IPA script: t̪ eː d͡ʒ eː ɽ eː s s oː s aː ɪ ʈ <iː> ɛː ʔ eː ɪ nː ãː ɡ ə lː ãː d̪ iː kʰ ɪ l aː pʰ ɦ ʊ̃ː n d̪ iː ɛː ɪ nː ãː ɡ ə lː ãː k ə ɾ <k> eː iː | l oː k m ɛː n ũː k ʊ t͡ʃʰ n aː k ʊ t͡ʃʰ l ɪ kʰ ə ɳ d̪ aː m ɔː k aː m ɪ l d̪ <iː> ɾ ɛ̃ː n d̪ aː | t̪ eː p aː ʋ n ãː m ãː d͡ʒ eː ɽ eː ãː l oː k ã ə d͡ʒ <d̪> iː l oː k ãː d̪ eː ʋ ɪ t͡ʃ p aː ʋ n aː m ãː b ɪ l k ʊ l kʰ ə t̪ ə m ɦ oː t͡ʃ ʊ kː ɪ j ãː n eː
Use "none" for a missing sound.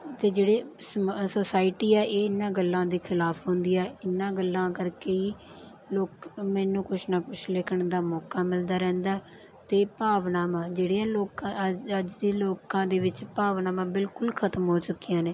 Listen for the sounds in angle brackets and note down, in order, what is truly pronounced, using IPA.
iː, k, aː, d̪

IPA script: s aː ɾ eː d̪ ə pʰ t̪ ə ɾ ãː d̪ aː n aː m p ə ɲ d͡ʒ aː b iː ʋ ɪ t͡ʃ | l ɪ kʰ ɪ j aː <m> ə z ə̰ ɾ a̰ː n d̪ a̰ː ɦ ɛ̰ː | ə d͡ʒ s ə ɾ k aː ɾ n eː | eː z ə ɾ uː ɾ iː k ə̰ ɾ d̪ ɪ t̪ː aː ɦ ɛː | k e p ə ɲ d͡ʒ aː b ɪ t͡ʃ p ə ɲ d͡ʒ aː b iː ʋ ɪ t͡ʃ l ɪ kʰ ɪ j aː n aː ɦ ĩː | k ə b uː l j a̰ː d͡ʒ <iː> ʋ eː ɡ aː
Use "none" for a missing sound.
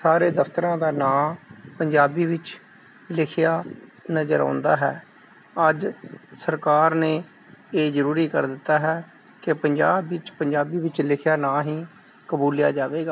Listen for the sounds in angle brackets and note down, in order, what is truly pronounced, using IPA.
n, aː

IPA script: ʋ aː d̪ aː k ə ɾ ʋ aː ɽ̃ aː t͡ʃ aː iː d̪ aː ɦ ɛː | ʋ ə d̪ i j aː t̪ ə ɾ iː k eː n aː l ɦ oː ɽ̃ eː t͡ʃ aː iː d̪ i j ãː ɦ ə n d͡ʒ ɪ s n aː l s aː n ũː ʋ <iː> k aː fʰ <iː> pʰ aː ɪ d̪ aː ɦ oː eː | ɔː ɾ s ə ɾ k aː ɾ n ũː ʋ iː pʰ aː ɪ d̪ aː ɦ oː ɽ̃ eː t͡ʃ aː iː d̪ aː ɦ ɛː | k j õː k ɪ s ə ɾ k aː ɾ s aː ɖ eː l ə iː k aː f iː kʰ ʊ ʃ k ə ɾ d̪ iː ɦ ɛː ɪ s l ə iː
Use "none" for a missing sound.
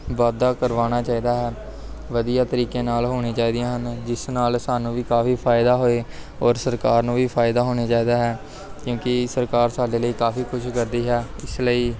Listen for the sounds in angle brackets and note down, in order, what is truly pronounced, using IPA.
iː, iː

